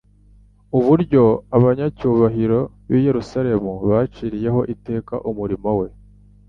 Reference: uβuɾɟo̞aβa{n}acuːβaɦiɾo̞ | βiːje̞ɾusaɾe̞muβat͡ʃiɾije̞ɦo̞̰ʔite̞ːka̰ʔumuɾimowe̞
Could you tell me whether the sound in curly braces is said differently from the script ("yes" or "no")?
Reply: yes